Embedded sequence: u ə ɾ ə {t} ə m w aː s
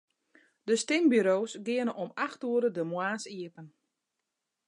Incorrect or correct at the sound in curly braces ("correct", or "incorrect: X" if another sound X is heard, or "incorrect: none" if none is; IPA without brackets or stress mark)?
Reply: incorrect: d